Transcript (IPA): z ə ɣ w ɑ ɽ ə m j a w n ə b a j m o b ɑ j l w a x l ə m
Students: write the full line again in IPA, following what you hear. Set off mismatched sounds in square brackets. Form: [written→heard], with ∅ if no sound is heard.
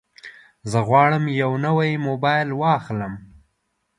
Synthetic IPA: z ə ɣ w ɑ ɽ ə m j a w n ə [b→w] a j m o b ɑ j l w [a→ɑ] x l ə m